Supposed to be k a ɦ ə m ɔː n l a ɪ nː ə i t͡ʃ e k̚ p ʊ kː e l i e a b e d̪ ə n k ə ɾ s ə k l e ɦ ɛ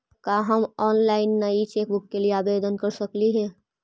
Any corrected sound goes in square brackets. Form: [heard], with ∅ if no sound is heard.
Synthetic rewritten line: k a ɦ ə m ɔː n l a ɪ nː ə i t͡ʃ e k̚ [b] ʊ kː e l i e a b e d̪ ə n k ə ɾ s ə k l [i] ɦ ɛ